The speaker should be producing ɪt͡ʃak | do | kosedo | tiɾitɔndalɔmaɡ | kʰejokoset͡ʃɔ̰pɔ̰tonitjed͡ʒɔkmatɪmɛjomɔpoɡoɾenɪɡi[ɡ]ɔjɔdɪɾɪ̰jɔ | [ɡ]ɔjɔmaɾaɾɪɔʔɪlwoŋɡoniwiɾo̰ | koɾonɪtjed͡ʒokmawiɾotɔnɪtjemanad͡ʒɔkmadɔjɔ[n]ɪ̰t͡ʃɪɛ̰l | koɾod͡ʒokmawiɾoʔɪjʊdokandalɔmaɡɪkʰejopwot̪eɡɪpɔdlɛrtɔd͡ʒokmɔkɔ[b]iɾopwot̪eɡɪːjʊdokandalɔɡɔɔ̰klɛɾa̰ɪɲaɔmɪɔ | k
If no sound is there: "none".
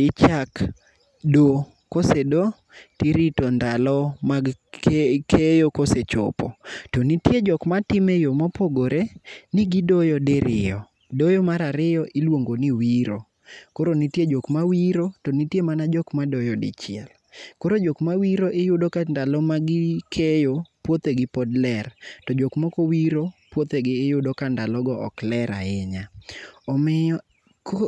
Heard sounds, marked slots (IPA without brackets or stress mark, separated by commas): d, d, d, w